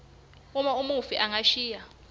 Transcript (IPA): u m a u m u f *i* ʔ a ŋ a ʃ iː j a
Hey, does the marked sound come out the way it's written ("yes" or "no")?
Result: yes